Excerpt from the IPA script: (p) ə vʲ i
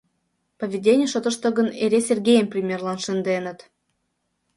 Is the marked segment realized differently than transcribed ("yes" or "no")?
no